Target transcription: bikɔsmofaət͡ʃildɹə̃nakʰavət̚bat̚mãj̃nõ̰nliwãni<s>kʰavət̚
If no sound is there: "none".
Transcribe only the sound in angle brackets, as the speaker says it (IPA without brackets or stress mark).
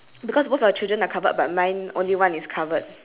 s